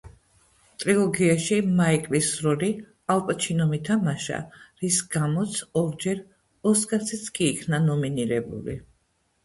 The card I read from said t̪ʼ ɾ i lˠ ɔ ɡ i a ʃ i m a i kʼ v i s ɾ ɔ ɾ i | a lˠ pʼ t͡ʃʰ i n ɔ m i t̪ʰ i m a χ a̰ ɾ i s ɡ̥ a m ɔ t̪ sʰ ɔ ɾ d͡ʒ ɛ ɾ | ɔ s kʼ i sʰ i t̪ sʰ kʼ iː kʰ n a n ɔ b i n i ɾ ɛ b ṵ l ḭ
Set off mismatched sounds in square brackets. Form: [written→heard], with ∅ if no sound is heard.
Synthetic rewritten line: t̪ʼ ɾ i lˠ ɔ ɡ i a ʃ i m a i kʼ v i s ɾ ɔ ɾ i | a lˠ pʼ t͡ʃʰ i n ɔ m i t̪ʰ [i→a] m a [χ→ʃ] a̰ ɾ i s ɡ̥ a m ɔ t̪ sʰ ɔ ɾ d͡ʒ ɛ ɾ | ɔ s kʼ [i→a] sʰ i t̪ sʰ kʼ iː kʰ n a n ɔ [b→m] i n i ɾ ɛ b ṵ l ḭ